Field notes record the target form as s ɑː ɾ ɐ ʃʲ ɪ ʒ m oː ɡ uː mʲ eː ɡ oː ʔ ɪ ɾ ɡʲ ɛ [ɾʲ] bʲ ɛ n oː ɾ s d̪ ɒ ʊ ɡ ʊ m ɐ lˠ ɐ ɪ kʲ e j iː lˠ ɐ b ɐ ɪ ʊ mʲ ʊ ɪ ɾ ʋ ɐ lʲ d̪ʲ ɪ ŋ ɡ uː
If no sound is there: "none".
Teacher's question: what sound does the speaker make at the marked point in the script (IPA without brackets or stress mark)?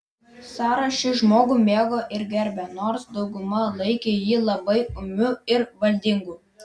ɾʲ